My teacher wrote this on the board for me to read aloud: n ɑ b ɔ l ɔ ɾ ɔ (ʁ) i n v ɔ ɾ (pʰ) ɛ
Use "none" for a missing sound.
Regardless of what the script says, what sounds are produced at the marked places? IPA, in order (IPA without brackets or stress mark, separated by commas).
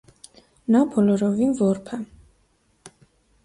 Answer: v, pʰ